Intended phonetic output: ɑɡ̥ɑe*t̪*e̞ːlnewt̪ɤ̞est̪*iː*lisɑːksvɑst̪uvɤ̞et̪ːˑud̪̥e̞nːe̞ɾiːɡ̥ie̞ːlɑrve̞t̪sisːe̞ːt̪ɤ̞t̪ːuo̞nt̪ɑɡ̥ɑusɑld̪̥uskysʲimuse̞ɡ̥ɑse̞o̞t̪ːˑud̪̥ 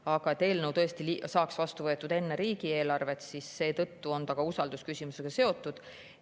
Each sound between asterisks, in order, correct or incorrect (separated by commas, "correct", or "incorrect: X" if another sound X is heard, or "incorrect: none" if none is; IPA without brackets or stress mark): correct, incorrect: i